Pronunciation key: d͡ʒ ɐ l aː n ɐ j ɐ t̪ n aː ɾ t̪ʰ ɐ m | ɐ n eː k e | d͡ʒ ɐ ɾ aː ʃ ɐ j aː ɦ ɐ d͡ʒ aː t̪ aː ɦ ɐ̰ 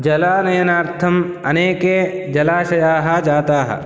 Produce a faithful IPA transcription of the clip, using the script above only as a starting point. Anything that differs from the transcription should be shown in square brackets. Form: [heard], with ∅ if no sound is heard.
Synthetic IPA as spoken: d͡ʒ ɐ l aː n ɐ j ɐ [∅] n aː ɾ t̪ʰ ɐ m | ɐ n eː k e | d͡ʒ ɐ [l] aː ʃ ɐ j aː ɦ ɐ d͡ʒ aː t̪ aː ɦ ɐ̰